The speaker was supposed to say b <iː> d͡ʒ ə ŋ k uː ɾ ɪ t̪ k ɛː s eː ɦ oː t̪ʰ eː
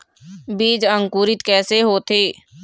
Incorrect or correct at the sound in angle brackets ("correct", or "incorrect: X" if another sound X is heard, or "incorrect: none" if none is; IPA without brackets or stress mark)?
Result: correct